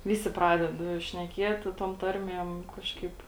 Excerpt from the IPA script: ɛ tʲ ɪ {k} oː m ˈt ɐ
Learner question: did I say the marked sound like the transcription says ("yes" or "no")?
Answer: no